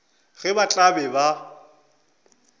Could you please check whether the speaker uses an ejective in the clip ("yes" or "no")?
yes